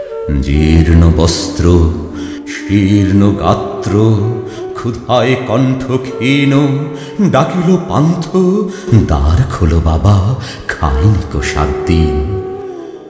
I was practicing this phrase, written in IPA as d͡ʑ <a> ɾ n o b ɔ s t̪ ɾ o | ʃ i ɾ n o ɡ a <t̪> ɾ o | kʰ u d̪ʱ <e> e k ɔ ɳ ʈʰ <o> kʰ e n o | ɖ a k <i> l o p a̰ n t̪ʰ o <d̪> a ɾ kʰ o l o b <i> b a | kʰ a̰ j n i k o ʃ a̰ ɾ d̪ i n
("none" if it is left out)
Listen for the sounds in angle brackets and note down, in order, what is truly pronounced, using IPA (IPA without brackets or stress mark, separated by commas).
i, t̪, a, o, i, d̪, a